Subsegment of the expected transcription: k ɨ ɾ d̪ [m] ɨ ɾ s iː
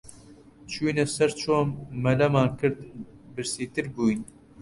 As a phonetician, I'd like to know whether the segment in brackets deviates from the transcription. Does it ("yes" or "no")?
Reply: yes